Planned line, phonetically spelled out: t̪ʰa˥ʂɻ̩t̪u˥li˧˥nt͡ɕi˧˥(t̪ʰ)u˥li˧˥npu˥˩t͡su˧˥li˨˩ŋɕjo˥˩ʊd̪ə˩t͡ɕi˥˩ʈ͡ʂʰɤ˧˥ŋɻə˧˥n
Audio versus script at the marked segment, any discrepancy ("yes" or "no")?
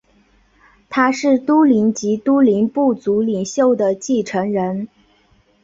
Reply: yes